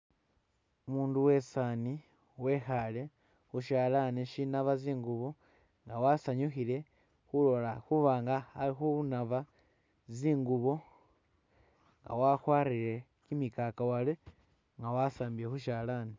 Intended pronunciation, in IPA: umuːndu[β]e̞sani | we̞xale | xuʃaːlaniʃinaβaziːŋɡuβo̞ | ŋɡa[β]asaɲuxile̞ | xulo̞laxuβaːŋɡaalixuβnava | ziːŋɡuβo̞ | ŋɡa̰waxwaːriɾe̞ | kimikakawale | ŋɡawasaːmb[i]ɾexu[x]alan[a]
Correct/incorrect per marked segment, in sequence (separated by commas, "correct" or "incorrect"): incorrect, incorrect, correct, incorrect, incorrect